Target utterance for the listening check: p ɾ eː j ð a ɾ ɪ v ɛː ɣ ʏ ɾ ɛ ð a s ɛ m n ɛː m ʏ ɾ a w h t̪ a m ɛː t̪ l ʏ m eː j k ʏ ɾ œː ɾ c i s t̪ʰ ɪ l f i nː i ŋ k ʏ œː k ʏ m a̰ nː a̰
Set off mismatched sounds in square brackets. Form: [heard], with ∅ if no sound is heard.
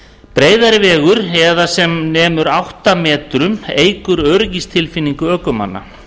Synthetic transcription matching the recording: p ɾ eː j ð a ɾ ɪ v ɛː ɣ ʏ ɾ ɛ ð a s ɛ m n ɛː m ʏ ɾ a w h t̪ a m ɛː t̪ [ɾ] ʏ m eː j k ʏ ɾ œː ɾ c i s t̪ʰ ɪ l f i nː i ŋ k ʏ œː k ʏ m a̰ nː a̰